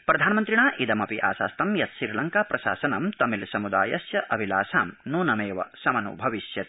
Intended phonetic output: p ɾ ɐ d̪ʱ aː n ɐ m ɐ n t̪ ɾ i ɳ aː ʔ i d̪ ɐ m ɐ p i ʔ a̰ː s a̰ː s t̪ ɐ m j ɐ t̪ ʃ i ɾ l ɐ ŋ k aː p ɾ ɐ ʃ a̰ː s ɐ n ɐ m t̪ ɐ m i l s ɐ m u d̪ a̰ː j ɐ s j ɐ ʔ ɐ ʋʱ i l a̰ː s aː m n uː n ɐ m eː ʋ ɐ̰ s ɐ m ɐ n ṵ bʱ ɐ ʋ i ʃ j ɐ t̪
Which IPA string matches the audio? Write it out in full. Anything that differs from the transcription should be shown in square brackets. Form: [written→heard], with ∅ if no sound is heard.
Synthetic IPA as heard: p ɾ ɐ d̪ʱ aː n ɐ m ɐ n t̪ ɾ i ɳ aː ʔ i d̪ ɐ m ɐ p i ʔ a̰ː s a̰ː s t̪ ɐ m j ɐ t̪ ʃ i ɾ l ɐ ŋ k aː p ɾ ɐ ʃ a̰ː s ɐ n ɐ m t̪ ɐ m i l s ɐ m u d̪ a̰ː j ɐ s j ɐ ʔ ɐ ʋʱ i l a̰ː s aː m n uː n ɐ m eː ʋ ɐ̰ s ɐ m ɐ n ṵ bʱ ɐ ʋ i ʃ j ɐ t̪